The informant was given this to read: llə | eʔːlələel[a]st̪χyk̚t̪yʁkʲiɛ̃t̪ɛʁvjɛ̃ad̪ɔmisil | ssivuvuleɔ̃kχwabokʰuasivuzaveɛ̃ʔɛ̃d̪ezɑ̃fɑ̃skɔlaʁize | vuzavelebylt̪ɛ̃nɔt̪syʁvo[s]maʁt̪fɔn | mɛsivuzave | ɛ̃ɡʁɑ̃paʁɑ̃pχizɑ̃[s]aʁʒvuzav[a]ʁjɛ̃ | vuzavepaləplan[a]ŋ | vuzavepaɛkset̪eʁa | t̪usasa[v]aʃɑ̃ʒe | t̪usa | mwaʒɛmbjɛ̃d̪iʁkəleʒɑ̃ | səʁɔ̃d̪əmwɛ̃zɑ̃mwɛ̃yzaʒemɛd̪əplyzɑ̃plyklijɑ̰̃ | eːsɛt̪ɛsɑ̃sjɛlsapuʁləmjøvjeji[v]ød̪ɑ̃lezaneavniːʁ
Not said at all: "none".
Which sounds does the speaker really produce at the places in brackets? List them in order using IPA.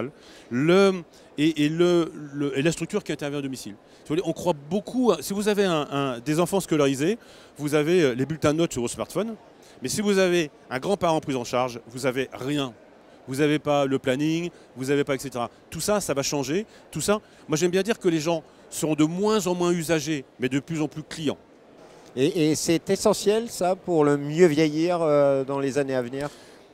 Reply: a, s, ʃ, e, i, v, ʁ

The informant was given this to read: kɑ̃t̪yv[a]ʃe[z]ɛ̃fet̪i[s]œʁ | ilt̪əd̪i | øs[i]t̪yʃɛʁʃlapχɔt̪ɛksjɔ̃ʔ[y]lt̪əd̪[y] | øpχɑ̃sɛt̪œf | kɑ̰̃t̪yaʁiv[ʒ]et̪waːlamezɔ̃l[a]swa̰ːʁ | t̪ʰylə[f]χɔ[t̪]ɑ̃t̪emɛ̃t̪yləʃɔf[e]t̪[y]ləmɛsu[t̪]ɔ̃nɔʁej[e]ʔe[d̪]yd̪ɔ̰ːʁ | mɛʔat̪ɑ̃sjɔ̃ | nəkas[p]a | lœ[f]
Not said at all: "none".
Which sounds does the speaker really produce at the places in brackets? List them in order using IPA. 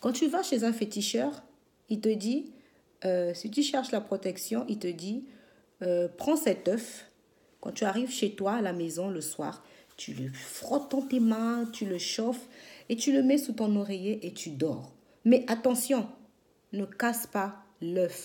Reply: a, z, ʃ, i, i, i, ʃ, ə, f, t̪, e, y, t̪, e, t̪, p, f

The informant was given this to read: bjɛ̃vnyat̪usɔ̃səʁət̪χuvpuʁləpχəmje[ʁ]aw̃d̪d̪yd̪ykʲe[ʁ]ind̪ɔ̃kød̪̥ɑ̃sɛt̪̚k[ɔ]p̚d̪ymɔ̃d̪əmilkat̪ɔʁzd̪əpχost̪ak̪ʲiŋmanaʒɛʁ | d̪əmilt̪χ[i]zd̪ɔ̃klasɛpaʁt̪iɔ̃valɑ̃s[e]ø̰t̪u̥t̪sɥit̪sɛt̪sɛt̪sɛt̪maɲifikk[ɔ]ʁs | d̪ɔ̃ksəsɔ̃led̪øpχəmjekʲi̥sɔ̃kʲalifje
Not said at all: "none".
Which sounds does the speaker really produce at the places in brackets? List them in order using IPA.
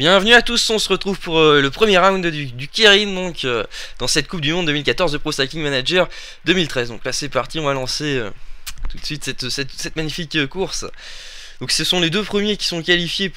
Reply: ʁ, ʁ, u, ɛ, e, u

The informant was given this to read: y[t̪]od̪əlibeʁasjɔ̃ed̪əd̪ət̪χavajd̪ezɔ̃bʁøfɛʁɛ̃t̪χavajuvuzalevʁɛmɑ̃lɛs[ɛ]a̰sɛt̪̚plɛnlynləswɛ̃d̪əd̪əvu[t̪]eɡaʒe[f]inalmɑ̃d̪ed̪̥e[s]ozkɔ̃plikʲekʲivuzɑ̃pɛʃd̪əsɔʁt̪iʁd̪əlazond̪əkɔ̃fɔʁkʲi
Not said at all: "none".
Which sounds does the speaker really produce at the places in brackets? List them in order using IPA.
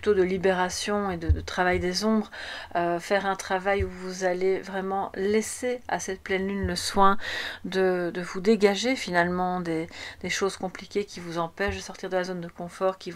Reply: t̪, e, d̪, f, ʃ

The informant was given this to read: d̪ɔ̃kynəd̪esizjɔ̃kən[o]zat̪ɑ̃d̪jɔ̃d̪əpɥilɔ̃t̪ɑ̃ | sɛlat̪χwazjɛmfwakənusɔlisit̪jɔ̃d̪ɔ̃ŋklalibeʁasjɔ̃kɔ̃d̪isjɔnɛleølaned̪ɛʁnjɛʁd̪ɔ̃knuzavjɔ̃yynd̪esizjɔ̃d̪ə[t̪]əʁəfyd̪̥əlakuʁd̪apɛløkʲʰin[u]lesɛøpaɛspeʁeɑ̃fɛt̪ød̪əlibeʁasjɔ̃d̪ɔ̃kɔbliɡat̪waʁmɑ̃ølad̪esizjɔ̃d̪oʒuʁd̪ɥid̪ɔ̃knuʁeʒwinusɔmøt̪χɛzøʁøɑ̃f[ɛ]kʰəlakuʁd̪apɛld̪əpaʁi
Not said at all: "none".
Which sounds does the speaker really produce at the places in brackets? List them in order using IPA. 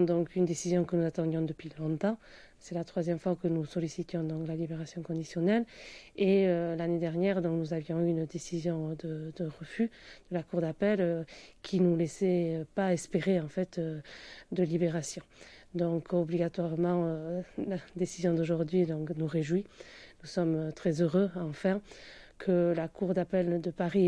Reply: u, d̪, u, ɛ̃

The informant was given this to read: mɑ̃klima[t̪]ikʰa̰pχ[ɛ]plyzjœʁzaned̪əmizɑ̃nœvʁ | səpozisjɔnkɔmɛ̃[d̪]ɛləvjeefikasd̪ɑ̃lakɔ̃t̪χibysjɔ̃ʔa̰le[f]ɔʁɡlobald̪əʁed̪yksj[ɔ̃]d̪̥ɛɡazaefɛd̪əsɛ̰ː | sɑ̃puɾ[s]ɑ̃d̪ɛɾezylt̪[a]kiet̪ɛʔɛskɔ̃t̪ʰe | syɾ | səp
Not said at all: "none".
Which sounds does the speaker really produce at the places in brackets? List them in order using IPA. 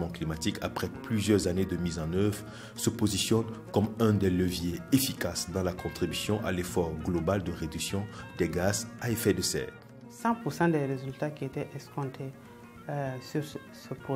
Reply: t̪, ɛ, d̪, f, ɔ̃, s, a

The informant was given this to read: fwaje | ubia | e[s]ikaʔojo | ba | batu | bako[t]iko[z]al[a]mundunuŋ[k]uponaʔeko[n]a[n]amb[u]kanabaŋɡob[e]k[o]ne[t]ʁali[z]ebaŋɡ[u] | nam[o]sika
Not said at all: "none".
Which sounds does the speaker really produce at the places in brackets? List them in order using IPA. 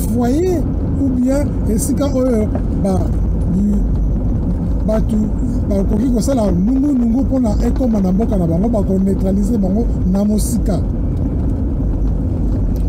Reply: s, k, s, a, ɡ, m, n, o, a, o, t, z, o, o

